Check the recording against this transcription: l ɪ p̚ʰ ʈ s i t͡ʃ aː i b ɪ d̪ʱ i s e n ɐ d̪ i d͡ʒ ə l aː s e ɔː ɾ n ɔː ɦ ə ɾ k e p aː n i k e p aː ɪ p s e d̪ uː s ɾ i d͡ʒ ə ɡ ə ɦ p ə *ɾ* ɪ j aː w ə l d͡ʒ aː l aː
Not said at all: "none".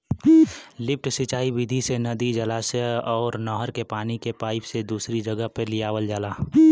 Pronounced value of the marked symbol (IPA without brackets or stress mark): l